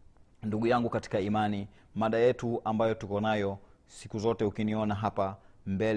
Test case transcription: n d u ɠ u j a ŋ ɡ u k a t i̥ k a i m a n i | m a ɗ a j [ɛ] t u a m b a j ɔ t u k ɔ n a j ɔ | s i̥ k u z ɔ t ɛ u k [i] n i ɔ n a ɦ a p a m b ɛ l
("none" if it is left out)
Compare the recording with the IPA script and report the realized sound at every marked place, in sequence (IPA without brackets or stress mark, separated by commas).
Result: ɛ, i